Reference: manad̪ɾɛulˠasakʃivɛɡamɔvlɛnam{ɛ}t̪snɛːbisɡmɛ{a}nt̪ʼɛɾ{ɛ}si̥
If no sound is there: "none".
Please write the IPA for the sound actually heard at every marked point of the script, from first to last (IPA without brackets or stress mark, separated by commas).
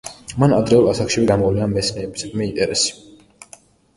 ɛ, i, ɛ